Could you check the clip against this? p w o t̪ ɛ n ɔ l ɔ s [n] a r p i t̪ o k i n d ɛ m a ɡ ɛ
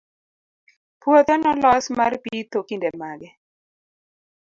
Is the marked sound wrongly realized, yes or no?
yes